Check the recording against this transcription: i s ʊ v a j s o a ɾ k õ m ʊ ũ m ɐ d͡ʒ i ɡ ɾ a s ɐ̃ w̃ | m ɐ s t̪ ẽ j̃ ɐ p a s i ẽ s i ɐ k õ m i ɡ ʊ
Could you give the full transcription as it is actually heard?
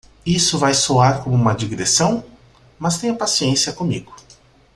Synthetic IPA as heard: i s ʊ v a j s o a ɾ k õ m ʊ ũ m ɐ d͡ʒ i ɡ ɾ e s ɐ̃ w̃ | m ɐ s t̪ ẽ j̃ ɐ p a s i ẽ s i ɐ k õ m i ɡ ʊ